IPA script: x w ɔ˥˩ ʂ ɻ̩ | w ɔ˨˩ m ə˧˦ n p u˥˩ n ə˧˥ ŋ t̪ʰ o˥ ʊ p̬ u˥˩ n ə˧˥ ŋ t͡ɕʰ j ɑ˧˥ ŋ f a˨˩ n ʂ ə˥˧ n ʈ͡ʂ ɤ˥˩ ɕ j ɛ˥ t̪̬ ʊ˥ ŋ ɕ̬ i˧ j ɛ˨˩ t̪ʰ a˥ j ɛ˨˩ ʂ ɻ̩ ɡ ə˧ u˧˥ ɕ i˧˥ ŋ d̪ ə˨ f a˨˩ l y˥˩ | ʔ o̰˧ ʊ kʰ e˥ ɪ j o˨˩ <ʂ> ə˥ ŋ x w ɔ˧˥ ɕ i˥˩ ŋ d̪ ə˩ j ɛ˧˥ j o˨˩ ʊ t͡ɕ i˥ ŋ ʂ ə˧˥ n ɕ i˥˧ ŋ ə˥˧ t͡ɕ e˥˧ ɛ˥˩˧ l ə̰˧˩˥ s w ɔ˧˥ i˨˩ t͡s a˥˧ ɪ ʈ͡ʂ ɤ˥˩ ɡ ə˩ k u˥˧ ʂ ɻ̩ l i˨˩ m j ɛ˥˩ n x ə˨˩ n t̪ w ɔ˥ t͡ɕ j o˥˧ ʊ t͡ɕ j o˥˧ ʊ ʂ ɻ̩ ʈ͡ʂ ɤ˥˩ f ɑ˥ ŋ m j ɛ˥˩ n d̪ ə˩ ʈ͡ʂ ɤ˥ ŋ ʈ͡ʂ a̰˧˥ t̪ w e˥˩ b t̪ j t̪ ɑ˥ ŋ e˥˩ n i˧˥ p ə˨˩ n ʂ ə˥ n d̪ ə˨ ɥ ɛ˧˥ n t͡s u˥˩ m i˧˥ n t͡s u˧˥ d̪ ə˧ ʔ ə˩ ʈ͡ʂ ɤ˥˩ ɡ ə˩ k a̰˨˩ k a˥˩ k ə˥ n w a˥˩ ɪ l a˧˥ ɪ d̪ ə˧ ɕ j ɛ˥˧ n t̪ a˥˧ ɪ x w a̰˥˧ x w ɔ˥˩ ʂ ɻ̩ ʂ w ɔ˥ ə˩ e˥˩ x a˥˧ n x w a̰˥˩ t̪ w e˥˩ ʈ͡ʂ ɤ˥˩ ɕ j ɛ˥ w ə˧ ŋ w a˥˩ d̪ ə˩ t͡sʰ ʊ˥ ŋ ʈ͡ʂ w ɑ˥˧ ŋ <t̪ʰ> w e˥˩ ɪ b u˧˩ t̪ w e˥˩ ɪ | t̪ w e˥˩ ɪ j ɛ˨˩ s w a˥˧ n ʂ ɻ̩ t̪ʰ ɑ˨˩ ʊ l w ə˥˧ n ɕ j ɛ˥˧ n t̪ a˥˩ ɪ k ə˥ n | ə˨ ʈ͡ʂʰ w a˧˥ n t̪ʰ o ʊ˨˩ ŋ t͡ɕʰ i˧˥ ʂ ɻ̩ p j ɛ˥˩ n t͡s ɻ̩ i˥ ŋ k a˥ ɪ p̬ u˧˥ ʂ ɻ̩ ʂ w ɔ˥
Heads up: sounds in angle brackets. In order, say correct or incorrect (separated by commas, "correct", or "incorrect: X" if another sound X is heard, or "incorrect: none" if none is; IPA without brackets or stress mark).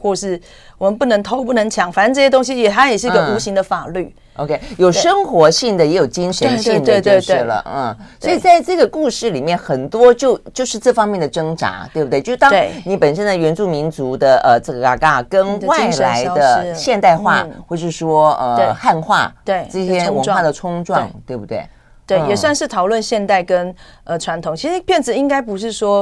correct, incorrect: t̪